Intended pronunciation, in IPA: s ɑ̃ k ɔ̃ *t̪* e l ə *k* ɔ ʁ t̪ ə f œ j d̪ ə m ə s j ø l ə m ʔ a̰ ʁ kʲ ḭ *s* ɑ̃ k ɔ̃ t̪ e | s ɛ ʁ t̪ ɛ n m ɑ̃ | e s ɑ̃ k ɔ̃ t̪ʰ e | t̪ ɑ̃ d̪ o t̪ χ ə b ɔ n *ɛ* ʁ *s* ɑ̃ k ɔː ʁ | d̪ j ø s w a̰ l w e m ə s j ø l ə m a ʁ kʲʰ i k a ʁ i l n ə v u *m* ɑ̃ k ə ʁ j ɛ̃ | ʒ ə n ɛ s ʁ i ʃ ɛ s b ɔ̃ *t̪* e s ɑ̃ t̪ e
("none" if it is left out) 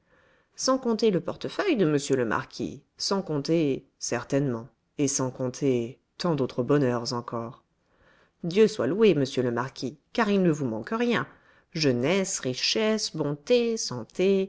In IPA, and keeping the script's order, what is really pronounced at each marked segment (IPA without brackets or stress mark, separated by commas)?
t̪, p, s, œ, z, m, t̪